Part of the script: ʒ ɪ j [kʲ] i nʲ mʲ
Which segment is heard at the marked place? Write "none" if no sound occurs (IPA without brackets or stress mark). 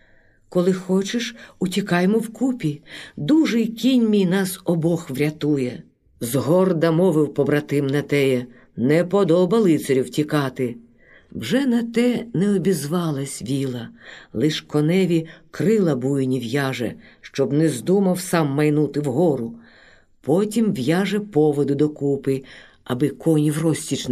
kʲ